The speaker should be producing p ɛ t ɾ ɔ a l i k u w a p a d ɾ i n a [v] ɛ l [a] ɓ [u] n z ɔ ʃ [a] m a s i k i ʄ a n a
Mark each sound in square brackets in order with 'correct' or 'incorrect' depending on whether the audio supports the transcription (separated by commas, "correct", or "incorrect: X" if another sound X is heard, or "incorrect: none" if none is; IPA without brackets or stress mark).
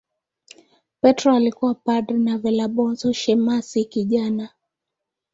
correct, correct, incorrect: ɔ, incorrect: ɛ